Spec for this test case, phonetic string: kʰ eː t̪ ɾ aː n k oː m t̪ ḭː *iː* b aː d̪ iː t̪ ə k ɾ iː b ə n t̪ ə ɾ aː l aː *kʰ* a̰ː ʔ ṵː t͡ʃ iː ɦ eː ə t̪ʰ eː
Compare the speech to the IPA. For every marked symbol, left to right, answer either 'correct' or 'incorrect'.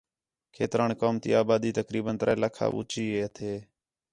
incorrect, correct

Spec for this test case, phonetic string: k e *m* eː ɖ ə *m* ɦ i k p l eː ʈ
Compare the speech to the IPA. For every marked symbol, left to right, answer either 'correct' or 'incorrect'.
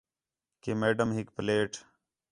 correct, correct

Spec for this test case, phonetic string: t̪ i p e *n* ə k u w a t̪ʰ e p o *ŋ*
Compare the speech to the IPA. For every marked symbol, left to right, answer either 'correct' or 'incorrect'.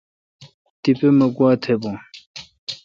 incorrect, correct

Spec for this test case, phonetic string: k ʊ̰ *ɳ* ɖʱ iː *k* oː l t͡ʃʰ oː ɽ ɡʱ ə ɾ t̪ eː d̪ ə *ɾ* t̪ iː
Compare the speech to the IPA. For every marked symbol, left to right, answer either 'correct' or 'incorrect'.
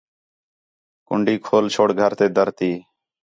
correct, incorrect, correct

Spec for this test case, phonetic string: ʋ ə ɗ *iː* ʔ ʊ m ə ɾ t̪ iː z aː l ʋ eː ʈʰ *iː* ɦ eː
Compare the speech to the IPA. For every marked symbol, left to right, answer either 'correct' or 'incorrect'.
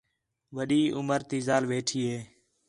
correct, correct

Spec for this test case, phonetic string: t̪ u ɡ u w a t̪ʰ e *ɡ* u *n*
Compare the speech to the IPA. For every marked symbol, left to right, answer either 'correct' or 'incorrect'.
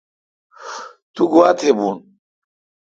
incorrect, correct

